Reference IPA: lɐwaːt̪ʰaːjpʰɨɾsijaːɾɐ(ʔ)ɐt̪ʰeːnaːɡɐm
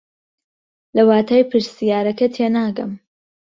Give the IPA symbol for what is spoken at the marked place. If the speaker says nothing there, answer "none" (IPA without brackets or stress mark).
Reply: k